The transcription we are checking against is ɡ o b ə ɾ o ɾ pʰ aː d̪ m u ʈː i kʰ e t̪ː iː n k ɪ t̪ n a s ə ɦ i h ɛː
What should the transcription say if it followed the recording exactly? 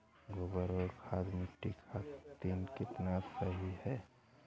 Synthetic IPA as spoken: ɡ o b ə ɾ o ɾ kʰ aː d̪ m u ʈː i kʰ a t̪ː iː n k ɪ t̪ n a s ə ɦ i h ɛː